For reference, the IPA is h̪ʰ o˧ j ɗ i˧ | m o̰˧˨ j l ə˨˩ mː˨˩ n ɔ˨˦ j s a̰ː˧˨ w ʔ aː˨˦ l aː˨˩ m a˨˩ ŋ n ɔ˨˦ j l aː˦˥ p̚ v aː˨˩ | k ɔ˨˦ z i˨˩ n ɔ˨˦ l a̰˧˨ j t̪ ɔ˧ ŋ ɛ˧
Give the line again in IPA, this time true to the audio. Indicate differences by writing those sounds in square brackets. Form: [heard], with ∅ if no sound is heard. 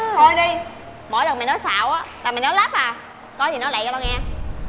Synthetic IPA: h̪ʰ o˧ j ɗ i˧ | m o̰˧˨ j l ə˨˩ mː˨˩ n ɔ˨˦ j s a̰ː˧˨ w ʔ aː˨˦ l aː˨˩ m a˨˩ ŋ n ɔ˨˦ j l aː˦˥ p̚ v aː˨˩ | k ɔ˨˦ z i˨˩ n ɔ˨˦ l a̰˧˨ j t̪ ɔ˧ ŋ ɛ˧